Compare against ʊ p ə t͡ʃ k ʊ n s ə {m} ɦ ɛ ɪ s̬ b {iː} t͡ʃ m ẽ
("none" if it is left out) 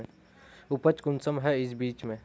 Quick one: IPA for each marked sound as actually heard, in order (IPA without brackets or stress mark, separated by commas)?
m, iː